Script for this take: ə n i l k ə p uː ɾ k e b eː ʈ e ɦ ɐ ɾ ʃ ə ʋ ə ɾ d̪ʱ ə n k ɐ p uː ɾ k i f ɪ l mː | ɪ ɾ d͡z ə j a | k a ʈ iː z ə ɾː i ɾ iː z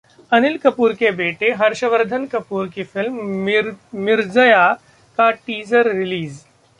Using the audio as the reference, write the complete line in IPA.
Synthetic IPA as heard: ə n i l k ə p uː ɾ k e b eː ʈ e ɦ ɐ ɾ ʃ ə ʋ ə ɾ d̪ʱ ə n k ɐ p uː ɾ k i f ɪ l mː | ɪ ɾ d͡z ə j a | k a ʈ iː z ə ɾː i l iː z